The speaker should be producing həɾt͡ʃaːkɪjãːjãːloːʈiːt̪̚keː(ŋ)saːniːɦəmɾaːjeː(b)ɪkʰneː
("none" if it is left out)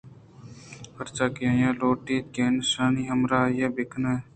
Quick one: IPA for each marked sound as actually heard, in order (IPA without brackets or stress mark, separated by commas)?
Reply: n, b